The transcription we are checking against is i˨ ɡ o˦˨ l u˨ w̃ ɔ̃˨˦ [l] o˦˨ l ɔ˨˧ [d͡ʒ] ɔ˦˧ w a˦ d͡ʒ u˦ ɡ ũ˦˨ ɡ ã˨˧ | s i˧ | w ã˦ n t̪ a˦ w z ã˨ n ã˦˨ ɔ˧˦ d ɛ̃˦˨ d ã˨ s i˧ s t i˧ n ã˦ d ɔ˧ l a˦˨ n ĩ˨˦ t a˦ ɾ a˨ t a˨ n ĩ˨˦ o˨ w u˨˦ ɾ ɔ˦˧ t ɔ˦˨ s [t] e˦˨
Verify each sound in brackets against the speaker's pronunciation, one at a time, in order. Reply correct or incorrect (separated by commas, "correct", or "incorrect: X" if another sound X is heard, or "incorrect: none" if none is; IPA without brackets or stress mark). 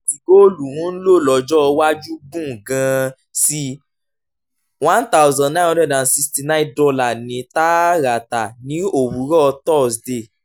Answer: correct, correct, incorrect: d